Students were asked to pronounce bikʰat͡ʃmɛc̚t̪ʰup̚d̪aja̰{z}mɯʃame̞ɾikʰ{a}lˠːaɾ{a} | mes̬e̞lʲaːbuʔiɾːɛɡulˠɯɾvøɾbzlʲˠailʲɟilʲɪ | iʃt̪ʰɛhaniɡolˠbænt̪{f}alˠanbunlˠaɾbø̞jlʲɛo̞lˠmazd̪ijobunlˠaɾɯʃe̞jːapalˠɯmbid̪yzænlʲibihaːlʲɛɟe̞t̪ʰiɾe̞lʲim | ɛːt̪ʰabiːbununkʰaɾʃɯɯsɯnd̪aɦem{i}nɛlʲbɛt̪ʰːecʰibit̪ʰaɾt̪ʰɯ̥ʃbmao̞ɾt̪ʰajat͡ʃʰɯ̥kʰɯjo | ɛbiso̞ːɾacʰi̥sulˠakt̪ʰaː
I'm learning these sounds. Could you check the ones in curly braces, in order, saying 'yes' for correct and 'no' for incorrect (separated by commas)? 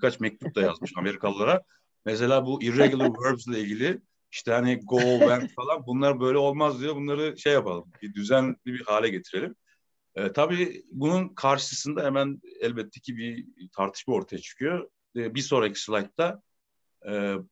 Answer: yes, yes, yes, yes, no